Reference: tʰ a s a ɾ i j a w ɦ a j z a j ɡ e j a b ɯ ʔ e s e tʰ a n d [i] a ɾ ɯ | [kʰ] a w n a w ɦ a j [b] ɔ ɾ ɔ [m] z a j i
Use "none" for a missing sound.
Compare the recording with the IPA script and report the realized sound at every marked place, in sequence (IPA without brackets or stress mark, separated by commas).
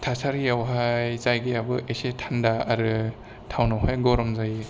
a, tʰ, ɡ, m